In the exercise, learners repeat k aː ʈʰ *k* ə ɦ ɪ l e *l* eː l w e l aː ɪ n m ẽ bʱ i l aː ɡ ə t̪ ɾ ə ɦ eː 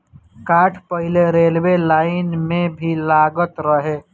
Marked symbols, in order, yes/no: no, no

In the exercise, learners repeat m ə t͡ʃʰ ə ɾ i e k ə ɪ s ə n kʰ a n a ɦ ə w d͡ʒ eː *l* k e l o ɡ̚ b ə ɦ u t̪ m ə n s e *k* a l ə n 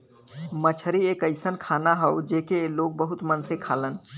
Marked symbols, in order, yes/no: no, no

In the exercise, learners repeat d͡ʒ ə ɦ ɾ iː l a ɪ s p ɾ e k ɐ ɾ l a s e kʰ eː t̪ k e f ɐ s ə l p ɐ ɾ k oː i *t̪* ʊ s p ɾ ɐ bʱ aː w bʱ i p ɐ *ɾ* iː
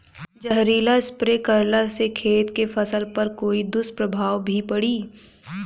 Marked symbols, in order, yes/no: no, no

